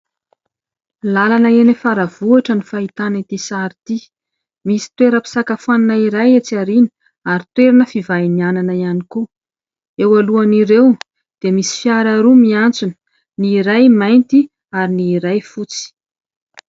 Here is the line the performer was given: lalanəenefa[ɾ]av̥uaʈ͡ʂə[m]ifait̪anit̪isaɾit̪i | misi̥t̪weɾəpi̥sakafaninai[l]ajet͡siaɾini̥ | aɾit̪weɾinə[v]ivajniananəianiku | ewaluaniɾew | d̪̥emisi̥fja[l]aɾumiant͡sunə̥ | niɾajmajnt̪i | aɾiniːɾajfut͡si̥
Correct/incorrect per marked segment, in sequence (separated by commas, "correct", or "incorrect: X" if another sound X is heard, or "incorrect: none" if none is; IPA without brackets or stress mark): correct, incorrect: n, incorrect: ɾ, incorrect: f, incorrect: ɾ